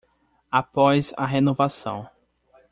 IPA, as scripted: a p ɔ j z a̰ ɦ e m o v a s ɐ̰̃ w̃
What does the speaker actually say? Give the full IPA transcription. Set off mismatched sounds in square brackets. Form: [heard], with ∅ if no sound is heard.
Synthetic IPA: a p ɔ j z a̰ ɦ e [n] o v a s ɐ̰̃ w̃